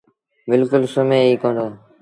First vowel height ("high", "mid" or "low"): high